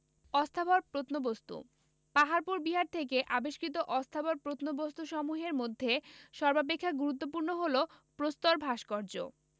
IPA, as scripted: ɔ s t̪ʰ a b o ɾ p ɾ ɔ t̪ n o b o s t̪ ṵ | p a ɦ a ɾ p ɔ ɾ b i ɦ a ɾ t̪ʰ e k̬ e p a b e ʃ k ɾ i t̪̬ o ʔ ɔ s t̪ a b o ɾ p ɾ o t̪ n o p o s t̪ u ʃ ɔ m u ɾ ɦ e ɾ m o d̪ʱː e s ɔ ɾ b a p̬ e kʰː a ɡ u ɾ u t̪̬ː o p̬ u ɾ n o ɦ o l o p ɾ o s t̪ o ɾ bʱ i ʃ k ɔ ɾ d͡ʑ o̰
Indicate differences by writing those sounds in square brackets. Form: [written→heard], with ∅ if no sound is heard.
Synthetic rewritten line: ɔ s t̪ʰ a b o ɾ p ɾ [ɔ→o] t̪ n o b o s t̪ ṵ | p a ɦ a ɾ p [ɔ→u] ɾ b i ɦ a ɾ t̪ʰ e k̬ e [p→ʔ] a b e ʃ k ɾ i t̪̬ o ʔ ɔ s [t̪→t̪ʰ] a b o ɾ p ɾ o t̪ n o [p→b] o s t̪ u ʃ ɔ m u [ɾ→∅] ɦ e ɾ m o d̪ʱː e [s→ʃ] ɔ ɾ b a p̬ e kʰː a ɡ u ɾ u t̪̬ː o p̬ u ɾ n o ɦ o l o p ɾ o s t̪ o ɾ bʱ [i→a] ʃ k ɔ ɾ d͡ʑ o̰